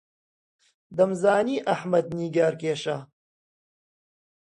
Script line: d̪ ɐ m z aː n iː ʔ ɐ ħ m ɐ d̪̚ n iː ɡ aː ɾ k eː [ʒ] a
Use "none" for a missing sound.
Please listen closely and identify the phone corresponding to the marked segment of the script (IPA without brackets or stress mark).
ʃ